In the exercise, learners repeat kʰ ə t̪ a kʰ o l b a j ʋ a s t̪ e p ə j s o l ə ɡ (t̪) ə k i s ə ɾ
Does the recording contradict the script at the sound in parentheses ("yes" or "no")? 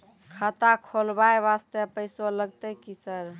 no